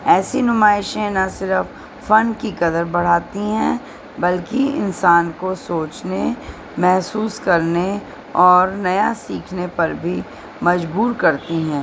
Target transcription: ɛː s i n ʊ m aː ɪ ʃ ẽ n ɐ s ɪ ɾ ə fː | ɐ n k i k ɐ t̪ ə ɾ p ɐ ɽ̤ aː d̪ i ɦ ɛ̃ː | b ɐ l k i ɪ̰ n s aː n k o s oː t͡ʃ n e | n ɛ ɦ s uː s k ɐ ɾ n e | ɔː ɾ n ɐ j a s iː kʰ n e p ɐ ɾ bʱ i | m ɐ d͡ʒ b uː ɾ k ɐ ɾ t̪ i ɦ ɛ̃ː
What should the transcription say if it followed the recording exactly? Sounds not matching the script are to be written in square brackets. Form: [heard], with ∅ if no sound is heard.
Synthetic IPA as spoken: ɛː s i n ʊ m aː ɪ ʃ ẽ n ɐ s ɪ ɾ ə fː | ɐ n k i k ɐ [d̪] ə ɾ [b] ɐ ɽ̤ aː [t̪] i ɦ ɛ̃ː | b ɐ l k i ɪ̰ n s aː n k o s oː t͡ʃ n e | [m] ɛ ɦ s uː s k ɐ ɾ n e | ɔː ɾ n ɐ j a s iː kʰ n e p ɐ ɾ bʱ i | m ɐ d͡ʒ b uː ɾ k ɐ ɾ t̪ i ɦ ɛ̃ː